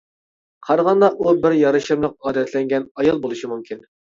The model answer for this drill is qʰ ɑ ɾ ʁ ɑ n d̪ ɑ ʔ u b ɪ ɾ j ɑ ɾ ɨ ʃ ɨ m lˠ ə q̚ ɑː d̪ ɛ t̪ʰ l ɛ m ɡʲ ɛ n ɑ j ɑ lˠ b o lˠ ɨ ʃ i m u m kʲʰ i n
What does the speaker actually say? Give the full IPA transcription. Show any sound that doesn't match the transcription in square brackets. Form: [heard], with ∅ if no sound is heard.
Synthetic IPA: qʰ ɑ ɾ ʁ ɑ n d̪ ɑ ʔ u b ɪ ɾ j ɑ ɾ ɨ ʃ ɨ m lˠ ə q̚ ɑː d̪ ɛ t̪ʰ l ɛ [ŋ] ɡʲ ɛ n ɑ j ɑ lˠ b o lˠ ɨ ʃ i m u m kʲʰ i n